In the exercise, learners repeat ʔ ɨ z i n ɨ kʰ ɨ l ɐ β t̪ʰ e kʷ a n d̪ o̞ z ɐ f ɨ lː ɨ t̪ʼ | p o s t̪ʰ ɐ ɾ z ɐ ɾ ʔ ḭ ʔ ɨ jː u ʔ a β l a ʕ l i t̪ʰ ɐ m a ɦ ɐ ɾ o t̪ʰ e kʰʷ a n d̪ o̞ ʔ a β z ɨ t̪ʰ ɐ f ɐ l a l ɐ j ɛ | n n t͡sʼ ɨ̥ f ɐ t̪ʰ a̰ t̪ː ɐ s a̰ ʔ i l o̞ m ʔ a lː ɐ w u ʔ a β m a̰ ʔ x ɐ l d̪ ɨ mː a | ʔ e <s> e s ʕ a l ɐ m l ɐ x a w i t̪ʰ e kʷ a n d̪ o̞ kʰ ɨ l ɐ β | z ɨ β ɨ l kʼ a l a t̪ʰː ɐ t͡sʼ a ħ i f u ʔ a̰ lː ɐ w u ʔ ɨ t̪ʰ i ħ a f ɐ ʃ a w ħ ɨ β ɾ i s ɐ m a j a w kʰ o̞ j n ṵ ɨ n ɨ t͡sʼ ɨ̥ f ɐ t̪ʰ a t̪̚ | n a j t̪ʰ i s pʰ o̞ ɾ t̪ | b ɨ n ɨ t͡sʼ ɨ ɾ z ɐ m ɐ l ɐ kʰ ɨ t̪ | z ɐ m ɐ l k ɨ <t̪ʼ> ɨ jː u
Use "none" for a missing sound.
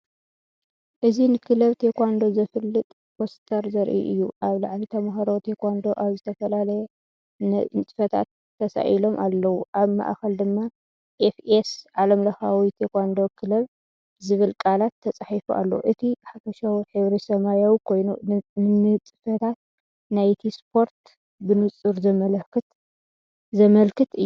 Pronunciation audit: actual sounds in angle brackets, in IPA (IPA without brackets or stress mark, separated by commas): f, t̪